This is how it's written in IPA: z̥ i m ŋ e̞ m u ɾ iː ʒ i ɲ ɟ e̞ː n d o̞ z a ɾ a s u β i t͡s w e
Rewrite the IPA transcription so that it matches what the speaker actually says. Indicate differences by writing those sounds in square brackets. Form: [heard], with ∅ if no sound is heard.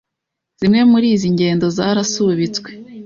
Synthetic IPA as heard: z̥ i m ŋ e̞ m u ɾ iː [z] i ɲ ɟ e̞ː n d o̞ z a ɾ a s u β i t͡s w e